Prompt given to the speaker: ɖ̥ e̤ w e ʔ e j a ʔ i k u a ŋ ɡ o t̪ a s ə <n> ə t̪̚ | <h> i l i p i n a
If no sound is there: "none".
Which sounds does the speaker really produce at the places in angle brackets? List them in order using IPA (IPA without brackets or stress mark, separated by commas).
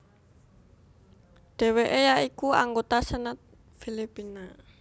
n, f